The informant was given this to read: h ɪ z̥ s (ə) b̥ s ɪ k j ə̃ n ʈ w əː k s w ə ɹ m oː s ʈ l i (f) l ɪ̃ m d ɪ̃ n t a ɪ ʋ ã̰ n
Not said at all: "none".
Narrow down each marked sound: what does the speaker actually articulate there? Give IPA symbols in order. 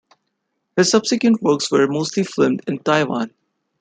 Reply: ʌ, f

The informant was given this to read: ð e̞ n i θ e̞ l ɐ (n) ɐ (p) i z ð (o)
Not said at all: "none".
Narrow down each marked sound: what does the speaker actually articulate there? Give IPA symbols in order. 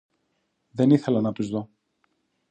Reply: n, p, o

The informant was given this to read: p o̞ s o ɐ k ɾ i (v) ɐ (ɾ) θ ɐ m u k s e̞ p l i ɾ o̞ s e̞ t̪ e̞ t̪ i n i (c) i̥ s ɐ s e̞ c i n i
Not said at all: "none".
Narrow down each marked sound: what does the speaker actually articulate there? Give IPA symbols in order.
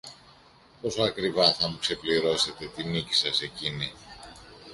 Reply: v, none, c

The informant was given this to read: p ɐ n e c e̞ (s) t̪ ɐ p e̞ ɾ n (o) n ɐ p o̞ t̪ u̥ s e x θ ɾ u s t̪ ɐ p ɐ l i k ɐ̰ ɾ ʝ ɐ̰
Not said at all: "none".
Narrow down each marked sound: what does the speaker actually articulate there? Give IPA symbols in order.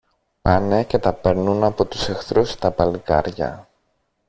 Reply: none, u

